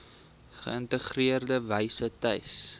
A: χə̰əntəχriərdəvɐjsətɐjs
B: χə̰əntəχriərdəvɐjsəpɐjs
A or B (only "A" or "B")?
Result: A